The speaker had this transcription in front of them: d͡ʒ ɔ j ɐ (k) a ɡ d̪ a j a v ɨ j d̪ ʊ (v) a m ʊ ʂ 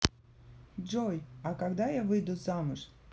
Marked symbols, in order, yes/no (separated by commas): yes, no